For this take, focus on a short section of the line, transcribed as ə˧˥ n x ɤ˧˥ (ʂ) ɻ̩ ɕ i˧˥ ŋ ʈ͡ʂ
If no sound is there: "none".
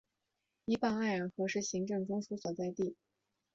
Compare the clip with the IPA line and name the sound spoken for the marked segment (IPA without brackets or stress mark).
ʂ